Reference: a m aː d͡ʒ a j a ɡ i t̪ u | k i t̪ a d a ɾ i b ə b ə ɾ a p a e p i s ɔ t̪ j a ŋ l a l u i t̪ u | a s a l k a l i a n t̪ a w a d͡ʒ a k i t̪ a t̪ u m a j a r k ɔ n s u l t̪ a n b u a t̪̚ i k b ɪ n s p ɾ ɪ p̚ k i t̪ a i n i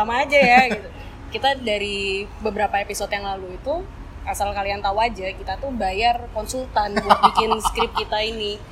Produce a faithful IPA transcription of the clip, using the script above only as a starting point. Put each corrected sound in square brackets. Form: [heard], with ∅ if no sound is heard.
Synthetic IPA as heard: a m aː d͡ʒ a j a ɡ i t̪ u | k i t̪ a d a ɾ i b ə b ə ɾ a p a e p i s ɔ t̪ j a ŋ l a l u i t̪ u | a s a l k a l i a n t̪ a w a d͡ʒ a k i t̪ a t̪ u [b] a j a r k ɔ n s u l t̪ a n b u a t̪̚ i k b ɪ n s [k] ɾ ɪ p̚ k i t̪ a i n i